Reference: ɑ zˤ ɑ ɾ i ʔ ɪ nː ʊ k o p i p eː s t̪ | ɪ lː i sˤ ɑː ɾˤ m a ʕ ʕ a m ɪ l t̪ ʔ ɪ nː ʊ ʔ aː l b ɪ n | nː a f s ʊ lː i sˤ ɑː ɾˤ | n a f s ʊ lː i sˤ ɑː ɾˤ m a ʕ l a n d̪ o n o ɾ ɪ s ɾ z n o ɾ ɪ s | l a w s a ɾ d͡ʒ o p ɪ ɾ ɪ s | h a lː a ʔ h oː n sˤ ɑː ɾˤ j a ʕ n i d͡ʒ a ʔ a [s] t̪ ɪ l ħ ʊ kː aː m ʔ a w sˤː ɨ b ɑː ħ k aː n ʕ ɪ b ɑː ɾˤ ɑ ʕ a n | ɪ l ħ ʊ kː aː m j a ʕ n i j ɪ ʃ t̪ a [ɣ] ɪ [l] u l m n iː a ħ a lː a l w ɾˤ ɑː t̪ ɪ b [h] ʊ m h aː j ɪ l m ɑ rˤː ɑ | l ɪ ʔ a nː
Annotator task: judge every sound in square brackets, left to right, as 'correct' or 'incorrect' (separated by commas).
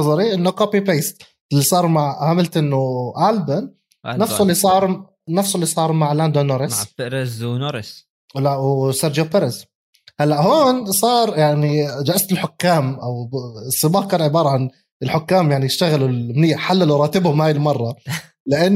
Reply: correct, correct, correct, correct